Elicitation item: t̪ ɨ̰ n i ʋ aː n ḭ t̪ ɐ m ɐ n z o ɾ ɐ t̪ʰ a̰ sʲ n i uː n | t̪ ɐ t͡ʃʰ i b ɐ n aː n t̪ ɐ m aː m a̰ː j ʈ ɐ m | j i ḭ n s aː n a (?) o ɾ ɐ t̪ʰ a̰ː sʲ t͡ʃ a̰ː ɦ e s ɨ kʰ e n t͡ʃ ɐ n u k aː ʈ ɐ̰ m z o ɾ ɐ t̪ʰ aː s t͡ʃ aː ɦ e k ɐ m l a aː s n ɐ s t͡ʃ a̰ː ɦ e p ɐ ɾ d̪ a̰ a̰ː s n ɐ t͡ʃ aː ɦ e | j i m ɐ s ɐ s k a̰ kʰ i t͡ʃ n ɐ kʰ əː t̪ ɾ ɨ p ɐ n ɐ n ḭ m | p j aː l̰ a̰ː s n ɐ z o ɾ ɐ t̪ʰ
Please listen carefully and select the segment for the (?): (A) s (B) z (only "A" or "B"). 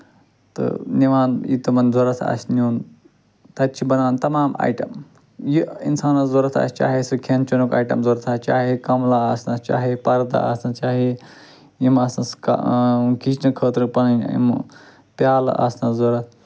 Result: B